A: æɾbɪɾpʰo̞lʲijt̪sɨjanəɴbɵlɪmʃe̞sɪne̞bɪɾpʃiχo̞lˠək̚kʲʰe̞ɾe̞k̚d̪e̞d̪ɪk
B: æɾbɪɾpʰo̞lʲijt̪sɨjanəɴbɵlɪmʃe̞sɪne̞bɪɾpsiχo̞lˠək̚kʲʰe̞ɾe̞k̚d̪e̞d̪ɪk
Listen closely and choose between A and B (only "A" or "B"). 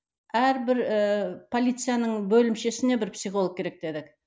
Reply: B